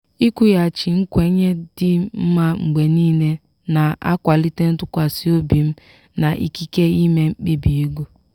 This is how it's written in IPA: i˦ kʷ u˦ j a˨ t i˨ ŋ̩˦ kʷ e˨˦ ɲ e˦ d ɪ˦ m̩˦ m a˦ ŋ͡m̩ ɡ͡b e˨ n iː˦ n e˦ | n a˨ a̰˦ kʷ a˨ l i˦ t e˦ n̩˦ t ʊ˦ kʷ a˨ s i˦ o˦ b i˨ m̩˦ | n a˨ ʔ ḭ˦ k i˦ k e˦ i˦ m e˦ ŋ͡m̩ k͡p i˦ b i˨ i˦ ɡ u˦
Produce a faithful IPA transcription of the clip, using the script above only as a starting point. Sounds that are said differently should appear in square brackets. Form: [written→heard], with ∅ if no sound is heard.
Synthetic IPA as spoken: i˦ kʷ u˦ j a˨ [t→t͡ʃ] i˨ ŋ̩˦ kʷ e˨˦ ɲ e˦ d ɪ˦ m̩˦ m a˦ ŋ͡m̩ ɡ͡b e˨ n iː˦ n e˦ | n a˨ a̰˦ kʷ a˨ l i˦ t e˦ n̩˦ t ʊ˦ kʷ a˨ s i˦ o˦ b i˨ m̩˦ | n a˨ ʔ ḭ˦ k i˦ k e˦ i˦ m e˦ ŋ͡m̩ k͡p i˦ b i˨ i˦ ɡ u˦